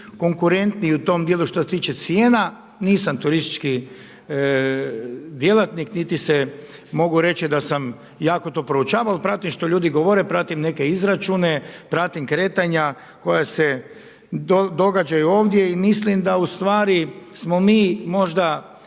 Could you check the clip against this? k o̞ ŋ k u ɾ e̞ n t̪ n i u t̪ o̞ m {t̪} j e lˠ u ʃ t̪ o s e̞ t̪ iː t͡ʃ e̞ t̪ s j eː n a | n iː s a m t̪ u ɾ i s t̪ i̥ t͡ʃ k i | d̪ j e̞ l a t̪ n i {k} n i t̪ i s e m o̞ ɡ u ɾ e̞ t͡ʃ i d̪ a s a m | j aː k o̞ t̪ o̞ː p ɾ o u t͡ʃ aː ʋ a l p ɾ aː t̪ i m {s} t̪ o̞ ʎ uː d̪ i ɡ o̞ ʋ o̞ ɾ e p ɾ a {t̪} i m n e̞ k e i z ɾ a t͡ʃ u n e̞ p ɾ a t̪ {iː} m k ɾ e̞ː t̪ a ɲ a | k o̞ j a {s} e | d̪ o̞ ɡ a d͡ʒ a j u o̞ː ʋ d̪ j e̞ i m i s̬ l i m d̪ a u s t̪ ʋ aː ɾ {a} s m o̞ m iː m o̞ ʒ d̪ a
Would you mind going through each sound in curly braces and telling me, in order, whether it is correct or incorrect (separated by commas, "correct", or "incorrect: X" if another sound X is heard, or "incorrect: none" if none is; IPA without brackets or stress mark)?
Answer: incorrect: d̪, correct, incorrect: ʃ, correct, incorrect: i, correct, incorrect: i